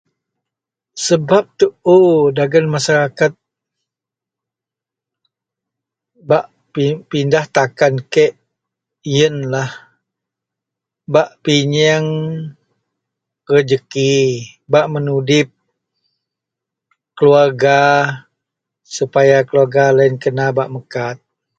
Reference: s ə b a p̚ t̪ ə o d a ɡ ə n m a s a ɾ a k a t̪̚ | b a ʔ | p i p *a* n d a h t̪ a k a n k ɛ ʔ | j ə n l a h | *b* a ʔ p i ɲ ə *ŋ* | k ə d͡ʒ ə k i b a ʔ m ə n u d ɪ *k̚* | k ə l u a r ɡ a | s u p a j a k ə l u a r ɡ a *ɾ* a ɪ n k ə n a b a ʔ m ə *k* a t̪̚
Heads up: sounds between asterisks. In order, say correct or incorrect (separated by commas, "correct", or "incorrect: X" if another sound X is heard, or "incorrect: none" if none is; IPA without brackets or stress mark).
incorrect: i, correct, correct, incorrect: p̚, incorrect: l, correct